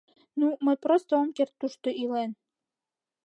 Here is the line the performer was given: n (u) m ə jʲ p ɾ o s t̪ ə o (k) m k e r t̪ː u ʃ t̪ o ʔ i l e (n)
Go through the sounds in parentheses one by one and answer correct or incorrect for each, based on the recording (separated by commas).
correct, incorrect, correct